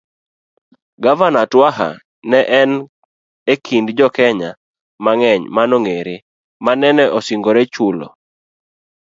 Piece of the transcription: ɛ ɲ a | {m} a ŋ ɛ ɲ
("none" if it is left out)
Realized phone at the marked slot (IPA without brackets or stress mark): m